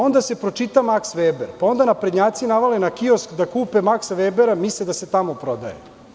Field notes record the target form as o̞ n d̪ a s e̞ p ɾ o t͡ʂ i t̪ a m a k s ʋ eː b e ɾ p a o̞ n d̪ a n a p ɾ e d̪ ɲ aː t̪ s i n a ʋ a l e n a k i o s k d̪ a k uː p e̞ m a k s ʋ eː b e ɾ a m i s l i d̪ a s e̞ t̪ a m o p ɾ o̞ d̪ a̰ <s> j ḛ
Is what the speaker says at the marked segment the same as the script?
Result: no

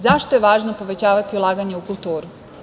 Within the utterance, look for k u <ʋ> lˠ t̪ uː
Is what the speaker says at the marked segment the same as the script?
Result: no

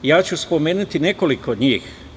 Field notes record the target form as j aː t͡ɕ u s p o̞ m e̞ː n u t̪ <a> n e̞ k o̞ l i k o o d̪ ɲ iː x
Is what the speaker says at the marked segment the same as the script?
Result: no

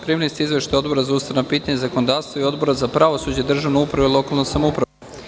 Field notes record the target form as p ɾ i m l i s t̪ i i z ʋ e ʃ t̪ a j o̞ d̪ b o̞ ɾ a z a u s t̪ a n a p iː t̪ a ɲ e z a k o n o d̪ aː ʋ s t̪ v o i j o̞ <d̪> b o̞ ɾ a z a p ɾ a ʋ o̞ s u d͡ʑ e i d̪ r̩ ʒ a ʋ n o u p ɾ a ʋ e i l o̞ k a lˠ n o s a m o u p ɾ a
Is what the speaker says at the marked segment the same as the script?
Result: yes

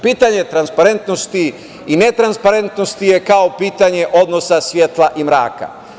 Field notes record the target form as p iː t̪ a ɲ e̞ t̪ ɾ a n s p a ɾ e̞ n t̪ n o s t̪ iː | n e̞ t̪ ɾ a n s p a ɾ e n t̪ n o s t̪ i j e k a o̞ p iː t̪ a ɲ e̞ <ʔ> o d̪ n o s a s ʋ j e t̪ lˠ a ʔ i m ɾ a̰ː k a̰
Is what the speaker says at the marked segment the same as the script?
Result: yes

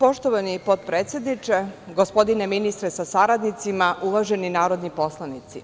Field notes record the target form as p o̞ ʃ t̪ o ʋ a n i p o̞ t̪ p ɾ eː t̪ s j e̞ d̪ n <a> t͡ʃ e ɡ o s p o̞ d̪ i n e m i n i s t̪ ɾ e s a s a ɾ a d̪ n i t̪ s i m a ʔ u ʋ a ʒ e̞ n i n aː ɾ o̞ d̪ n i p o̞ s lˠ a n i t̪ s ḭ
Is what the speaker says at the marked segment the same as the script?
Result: no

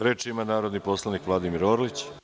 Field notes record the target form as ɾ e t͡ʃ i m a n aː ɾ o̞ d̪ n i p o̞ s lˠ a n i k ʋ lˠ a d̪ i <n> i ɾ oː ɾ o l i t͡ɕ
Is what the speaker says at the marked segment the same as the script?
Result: no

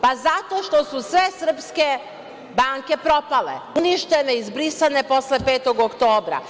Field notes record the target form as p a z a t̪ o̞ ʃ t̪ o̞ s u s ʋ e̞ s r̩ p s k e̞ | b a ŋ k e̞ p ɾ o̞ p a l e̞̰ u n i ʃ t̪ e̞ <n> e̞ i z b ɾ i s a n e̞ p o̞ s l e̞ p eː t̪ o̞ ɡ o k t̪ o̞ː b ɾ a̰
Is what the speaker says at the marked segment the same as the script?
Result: yes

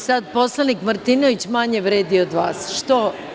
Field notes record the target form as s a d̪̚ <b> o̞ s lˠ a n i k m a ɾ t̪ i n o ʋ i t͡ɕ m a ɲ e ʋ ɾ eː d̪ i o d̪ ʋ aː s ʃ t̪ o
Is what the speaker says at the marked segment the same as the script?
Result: no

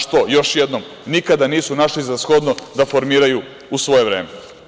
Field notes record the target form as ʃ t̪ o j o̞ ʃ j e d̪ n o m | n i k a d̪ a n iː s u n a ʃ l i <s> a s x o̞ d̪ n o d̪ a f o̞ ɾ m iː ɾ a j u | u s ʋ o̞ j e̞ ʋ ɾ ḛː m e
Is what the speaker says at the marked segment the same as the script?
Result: no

